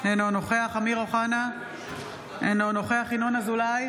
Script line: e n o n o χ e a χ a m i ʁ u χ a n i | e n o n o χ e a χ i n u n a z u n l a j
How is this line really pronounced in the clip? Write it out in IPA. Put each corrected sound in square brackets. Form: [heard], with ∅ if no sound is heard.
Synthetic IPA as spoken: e n o n o χ e a χ a m i ʁ [o] χ a n [a] | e n o n o χ e a χ i n [o] n a z u [∅] l a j